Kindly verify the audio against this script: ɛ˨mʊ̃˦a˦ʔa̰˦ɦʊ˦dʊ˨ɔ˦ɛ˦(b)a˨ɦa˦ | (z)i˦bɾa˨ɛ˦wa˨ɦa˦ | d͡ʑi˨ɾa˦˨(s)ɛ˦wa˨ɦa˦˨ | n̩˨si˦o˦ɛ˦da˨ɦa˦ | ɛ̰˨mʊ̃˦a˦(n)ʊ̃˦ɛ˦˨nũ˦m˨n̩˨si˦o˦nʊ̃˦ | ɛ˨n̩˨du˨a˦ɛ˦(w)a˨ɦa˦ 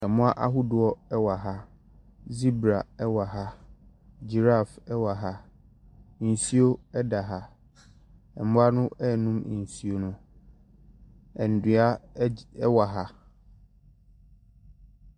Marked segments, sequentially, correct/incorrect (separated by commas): incorrect, correct, incorrect, correct, correct